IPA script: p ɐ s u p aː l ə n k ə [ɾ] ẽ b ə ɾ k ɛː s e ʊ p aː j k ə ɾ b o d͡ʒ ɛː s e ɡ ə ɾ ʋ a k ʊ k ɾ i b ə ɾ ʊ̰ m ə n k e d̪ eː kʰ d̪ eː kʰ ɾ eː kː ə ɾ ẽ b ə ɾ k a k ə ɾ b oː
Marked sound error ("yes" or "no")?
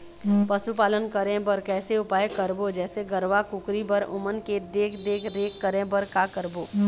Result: no